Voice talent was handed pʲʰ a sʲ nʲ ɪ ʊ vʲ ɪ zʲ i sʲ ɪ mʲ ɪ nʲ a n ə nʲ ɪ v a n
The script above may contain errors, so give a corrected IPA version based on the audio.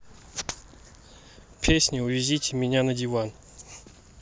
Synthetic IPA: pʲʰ e sʲ nʲ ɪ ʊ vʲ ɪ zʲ i tʲ ɪ mʲ ɪ nʲ a n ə dʲ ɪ v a n